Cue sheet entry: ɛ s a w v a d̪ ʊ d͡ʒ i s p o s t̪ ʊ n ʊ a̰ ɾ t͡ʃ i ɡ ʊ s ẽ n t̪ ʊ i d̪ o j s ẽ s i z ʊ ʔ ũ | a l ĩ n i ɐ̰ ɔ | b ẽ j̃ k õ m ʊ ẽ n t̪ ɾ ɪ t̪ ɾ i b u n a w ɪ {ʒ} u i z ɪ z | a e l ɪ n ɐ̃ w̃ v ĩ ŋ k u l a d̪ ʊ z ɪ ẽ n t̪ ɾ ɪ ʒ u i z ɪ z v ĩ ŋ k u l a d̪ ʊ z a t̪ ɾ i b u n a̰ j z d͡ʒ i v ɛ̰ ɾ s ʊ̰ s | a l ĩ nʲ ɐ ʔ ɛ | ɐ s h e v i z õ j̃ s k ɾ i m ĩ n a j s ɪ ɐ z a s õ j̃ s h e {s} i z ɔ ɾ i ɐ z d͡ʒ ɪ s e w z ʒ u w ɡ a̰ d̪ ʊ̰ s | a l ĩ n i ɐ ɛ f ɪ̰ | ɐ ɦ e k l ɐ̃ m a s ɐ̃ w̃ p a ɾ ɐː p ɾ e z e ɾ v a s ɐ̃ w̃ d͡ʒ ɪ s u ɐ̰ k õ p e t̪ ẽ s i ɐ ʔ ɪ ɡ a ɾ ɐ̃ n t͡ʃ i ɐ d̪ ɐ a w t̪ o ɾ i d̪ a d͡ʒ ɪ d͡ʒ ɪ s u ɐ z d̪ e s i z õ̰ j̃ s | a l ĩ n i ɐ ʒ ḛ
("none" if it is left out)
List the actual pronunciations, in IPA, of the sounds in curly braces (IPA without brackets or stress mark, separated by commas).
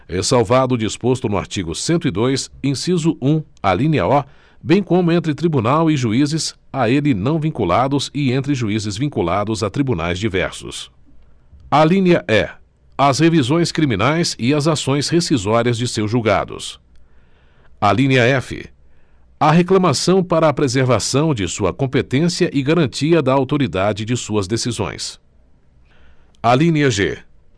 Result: ʒ, s